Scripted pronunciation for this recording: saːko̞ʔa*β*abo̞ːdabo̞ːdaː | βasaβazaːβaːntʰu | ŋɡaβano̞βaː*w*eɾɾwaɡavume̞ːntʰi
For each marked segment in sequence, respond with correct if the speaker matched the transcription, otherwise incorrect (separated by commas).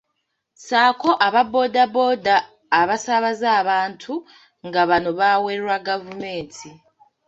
correct, correct